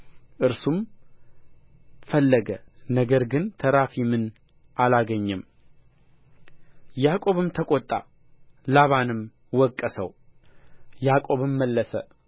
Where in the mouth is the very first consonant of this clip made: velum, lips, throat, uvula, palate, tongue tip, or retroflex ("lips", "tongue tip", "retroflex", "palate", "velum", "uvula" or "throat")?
throat